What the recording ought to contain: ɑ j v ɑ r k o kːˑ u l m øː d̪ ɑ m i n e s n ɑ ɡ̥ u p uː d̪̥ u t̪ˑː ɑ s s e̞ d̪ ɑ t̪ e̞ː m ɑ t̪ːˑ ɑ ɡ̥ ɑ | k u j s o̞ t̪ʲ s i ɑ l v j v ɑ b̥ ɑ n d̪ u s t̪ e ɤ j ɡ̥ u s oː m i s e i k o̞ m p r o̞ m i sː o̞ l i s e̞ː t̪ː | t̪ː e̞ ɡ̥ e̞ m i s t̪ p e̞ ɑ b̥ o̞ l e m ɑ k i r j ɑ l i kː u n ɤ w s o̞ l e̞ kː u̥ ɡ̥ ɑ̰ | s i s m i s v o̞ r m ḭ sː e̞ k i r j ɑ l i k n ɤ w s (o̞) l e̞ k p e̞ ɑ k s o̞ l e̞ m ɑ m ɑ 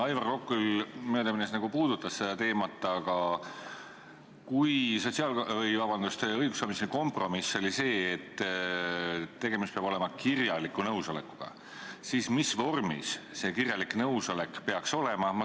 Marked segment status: correct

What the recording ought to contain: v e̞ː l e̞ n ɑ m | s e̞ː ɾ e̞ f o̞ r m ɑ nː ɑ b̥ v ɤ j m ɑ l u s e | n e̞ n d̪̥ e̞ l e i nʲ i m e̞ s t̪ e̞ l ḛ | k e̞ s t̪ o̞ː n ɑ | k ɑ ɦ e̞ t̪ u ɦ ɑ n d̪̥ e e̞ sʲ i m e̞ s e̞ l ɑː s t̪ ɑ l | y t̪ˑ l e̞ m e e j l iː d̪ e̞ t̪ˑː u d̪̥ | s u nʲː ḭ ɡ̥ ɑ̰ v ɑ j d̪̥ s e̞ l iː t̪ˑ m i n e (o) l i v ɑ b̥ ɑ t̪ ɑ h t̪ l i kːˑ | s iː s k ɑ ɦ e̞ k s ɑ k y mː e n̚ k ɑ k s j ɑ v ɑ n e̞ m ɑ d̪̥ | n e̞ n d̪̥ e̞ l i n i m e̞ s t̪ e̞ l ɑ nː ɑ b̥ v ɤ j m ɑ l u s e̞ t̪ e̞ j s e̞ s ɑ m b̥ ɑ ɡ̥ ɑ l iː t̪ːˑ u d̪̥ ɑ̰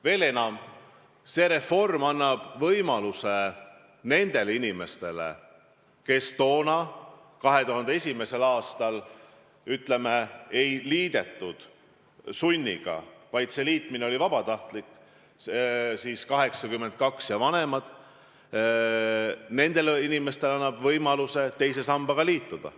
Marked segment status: correct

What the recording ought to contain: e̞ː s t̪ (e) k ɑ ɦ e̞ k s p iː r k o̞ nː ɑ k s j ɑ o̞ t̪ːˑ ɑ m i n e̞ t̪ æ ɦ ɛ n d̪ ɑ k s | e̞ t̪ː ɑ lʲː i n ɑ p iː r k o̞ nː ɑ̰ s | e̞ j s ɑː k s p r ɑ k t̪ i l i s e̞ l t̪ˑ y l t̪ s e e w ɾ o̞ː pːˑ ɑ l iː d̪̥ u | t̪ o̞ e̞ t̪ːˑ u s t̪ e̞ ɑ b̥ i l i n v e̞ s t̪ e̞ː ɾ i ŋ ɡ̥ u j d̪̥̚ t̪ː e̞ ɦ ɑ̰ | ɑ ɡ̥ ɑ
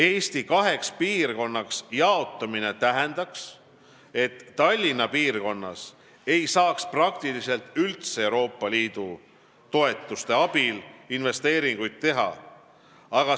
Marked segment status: incorrect: i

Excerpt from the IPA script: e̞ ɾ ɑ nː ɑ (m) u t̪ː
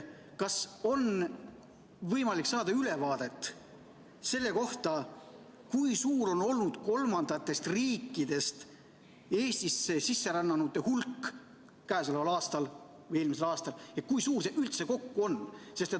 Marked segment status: incorrect: n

